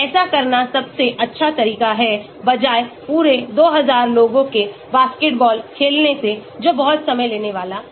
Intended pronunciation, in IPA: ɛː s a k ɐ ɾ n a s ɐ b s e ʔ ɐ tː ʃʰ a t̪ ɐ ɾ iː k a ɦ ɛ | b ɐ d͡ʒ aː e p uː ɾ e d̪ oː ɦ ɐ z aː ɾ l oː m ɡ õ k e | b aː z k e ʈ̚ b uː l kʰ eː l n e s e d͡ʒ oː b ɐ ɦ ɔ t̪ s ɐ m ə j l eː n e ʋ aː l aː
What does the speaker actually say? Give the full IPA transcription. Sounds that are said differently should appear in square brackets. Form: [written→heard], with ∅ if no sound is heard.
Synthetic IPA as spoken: ɛː s a k ɐ ɾ n a s ɐ b s e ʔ ɐ tː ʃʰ a t̪ ɐ ɾ iː k a ɦ ɛ | b ɐ d͡ʒ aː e p uː ɾ e d̪ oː ɦ ɐ z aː ɾ l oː [m→∅] ɡ õ k e | b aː [z→s] k e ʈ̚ b [uː→ɔː] l kʰ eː l n e s e d͡ʒ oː b ɐ ɦ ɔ t̪ s ɐ m ə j l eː n e ʋ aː l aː